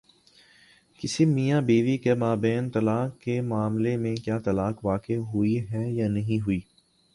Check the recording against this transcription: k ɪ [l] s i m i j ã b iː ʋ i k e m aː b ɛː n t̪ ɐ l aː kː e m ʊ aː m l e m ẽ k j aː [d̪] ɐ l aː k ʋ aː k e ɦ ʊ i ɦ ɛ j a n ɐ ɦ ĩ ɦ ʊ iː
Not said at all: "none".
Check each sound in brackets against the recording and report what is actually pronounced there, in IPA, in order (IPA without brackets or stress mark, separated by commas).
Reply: none, t̪